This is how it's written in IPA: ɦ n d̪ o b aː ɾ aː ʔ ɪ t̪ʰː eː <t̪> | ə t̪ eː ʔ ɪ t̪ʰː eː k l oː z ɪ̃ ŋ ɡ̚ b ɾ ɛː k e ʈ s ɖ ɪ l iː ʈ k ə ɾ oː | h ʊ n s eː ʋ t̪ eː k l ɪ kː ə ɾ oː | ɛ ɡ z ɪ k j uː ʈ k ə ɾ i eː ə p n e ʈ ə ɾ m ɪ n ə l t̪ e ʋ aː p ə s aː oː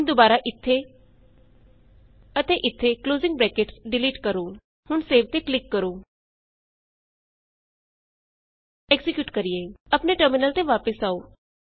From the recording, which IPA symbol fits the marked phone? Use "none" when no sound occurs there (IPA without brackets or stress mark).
none